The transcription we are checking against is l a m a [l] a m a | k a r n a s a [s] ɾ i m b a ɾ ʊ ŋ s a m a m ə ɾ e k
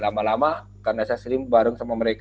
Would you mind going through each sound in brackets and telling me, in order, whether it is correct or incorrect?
correct, correct

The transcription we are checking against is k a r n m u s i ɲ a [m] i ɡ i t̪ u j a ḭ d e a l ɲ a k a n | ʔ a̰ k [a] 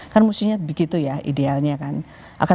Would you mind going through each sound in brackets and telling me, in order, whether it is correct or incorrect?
incorrect: b, correct

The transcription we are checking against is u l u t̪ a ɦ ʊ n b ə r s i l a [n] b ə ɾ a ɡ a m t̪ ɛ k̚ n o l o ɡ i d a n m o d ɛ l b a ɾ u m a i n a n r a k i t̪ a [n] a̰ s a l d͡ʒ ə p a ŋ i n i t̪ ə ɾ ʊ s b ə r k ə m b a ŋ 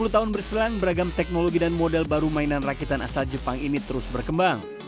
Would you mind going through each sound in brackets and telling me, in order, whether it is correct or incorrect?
incorrect: ŋ, correct

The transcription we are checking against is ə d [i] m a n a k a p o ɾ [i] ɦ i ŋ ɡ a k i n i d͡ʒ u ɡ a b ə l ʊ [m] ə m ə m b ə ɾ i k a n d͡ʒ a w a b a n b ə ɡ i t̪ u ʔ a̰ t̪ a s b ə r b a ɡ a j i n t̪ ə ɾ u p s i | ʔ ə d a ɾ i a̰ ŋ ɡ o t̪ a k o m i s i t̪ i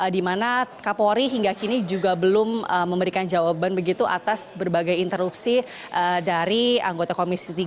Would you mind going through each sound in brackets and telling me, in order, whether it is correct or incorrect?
correct, correct, correct

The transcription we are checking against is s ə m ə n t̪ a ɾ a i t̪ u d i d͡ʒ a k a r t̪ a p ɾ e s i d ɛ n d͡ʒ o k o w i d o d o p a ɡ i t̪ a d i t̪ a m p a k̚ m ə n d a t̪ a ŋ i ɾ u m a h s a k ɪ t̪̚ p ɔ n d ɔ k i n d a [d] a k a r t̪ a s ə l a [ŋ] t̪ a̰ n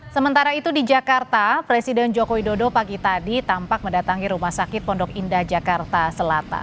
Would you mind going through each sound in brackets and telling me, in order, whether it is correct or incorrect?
incorrect: d͡ʒ, incorrect: none

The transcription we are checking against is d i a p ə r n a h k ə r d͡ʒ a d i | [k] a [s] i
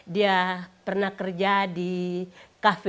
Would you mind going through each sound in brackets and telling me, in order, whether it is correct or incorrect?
correct, incorrect: f

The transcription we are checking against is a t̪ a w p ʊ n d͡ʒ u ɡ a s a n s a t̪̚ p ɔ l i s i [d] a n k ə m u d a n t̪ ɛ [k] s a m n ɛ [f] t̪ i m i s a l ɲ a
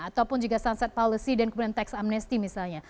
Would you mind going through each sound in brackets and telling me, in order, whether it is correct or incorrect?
correct, correct, incorrect: s

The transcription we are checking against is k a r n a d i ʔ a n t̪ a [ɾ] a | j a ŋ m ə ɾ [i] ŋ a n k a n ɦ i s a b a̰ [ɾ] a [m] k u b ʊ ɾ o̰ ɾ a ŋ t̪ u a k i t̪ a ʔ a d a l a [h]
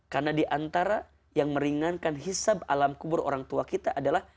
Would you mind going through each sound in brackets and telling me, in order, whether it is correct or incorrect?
correct, correct, incorrect: l, correct, correct

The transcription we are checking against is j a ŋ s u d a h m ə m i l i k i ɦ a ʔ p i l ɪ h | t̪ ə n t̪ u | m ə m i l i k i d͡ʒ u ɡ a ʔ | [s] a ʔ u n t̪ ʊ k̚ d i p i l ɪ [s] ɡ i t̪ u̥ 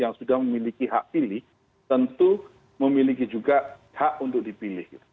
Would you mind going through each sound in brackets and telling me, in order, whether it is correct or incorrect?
incorrect: h, incorrect: h

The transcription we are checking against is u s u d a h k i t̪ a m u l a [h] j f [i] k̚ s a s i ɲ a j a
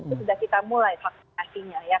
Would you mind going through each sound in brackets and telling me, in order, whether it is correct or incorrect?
incorrect: none, incorrect: a

